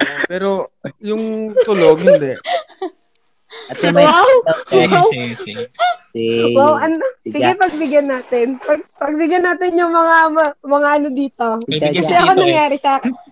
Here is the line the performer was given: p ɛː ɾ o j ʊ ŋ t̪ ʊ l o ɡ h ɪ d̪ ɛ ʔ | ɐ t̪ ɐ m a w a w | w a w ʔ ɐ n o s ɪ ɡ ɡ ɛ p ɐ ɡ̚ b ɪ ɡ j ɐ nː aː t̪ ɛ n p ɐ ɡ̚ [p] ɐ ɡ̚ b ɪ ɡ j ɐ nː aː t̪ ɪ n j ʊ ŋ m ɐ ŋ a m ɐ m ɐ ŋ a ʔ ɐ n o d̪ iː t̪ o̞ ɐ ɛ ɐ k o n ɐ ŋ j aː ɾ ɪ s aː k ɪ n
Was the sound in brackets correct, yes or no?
yes